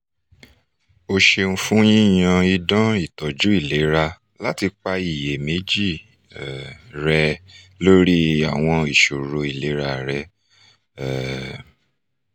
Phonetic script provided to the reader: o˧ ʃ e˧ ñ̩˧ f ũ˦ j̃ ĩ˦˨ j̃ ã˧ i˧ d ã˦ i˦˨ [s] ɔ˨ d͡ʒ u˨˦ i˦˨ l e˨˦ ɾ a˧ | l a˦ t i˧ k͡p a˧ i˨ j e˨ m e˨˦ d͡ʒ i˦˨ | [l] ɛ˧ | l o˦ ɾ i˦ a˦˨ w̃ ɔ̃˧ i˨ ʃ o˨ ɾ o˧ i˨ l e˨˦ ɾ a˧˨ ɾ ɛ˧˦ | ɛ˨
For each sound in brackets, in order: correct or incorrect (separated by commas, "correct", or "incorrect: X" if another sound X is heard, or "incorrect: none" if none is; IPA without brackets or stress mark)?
incorrect: t, incorrect: ɾ